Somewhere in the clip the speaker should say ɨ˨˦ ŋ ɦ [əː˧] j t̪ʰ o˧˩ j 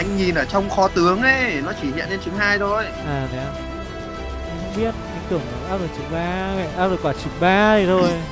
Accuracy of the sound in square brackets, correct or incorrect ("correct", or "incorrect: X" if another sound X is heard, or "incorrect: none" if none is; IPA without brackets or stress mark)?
incorrect: aː˧